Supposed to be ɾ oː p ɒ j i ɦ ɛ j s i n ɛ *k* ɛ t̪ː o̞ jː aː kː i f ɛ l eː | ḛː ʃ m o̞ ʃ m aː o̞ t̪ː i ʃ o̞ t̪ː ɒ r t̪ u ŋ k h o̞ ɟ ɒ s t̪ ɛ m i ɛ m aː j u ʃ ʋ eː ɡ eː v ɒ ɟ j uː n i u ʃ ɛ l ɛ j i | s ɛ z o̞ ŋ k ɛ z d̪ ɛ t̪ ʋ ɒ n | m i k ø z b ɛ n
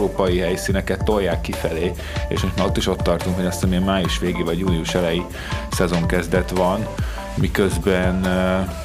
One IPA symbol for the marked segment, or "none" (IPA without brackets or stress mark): k